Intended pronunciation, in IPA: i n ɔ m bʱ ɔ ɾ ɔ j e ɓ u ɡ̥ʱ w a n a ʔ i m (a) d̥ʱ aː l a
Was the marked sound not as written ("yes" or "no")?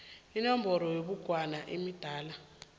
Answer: yes